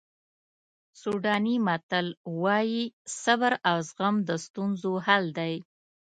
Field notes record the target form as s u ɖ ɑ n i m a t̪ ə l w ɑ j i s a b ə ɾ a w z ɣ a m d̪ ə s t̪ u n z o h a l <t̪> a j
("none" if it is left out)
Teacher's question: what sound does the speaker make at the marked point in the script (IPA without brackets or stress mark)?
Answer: d̪